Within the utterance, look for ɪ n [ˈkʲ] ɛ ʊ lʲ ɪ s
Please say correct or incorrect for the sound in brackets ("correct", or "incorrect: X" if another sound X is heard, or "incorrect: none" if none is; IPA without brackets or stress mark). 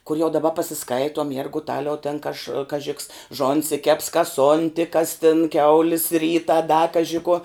correct